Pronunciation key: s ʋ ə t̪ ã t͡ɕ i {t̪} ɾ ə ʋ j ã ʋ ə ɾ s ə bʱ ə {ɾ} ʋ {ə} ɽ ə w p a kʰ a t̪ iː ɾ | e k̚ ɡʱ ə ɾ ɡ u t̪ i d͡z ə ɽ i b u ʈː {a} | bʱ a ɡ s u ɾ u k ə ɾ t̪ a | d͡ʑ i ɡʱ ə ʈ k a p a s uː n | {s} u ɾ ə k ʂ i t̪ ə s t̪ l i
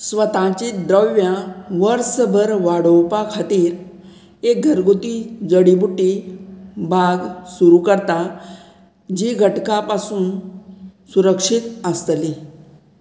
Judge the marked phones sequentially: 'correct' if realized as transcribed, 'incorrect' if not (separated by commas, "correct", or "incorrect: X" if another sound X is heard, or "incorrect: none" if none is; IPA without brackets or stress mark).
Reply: incorrect: d̪, correct, incorrect: a, incorrect: i, correct